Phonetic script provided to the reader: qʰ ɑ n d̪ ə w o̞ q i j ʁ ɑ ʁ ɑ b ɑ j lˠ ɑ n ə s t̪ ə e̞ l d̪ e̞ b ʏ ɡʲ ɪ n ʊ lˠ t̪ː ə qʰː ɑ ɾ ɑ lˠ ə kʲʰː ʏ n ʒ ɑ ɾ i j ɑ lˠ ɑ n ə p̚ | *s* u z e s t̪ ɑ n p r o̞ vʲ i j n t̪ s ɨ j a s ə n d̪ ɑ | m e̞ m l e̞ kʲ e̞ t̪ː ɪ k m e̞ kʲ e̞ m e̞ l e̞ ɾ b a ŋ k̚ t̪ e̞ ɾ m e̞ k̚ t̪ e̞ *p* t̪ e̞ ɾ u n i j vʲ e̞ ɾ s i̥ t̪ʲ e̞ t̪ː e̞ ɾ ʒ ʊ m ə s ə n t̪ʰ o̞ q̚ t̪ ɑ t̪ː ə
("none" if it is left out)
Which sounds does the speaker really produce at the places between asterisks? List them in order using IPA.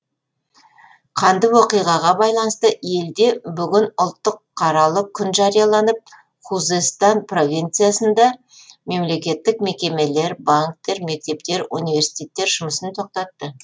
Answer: χ, p

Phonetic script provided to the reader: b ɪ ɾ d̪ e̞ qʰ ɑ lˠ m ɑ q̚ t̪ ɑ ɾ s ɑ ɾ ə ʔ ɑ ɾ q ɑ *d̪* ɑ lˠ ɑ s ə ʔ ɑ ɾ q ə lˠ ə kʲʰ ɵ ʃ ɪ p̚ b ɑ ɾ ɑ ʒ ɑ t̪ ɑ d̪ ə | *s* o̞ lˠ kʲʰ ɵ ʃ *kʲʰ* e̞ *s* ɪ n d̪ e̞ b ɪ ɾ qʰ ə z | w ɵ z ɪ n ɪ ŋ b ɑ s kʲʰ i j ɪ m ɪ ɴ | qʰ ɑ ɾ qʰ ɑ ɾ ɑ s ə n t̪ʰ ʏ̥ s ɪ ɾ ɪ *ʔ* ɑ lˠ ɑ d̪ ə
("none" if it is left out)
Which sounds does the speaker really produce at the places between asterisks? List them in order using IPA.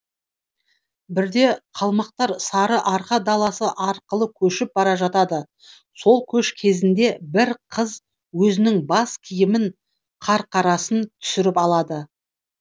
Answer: d̪, s, kʲʰ, z, p

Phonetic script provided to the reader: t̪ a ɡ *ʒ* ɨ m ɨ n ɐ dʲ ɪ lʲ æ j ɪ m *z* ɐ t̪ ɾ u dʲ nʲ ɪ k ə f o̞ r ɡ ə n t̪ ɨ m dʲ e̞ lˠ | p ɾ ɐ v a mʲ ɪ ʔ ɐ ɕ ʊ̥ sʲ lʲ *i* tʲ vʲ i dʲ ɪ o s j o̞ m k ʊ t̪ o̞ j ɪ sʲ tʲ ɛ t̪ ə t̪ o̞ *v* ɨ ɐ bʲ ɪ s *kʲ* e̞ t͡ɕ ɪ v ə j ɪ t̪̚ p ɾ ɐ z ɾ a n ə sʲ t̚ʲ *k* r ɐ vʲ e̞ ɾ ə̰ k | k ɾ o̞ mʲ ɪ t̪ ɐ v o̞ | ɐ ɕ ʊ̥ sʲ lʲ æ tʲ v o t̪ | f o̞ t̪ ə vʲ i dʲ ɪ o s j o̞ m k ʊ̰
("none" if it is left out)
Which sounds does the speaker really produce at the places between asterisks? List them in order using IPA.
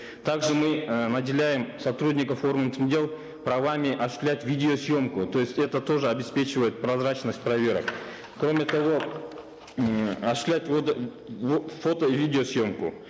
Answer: ʐ, s, æ, ʐ, pʲ, p

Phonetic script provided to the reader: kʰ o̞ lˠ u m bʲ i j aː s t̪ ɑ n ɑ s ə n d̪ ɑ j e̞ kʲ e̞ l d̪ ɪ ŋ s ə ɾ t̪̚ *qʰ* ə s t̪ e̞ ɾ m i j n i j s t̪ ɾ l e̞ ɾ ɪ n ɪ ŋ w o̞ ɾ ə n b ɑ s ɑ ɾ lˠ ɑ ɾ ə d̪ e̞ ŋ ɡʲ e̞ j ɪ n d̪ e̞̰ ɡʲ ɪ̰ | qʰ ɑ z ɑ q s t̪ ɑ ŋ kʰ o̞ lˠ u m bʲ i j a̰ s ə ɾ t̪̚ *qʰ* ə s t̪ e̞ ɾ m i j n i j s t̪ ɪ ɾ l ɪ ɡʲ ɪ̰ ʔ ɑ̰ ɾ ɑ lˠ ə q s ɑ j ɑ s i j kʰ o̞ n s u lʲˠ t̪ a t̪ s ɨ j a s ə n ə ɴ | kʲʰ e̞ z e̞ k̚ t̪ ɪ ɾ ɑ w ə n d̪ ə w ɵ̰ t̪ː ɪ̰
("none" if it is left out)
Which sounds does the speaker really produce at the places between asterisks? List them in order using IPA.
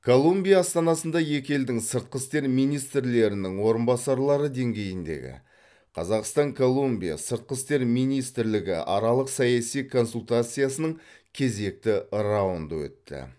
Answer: q, q

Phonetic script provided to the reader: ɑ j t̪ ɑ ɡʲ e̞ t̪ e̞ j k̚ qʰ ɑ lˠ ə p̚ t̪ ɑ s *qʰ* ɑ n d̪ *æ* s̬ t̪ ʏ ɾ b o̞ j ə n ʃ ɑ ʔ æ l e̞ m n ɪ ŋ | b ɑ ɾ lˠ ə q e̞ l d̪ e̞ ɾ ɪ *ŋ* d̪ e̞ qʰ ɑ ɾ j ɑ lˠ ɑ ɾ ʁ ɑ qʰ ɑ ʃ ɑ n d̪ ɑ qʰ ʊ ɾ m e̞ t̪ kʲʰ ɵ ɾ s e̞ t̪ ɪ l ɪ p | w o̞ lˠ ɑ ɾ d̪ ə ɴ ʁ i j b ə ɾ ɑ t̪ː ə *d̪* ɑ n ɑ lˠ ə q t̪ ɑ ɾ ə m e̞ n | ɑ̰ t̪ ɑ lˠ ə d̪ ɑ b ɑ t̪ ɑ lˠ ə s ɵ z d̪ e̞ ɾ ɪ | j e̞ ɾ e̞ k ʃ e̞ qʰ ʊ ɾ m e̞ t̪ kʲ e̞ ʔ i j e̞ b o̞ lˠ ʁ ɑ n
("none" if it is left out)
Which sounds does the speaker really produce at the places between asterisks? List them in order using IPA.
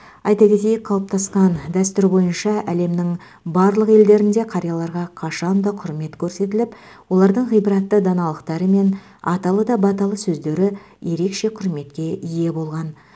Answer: q, æ, n, d̪

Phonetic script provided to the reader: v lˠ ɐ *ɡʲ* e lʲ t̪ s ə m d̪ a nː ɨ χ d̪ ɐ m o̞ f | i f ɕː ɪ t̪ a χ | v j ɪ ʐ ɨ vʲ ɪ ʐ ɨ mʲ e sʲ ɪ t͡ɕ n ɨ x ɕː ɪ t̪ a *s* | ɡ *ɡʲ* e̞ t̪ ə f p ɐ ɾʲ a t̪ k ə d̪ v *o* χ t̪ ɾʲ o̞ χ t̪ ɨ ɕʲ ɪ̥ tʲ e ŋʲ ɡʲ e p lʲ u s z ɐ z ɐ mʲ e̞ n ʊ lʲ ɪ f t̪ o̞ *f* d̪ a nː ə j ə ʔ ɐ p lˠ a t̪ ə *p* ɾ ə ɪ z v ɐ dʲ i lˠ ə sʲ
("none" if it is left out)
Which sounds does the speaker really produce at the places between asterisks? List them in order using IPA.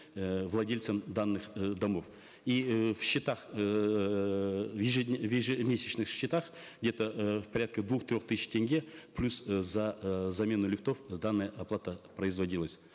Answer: dʲ, χ, dʲ, u, f, p

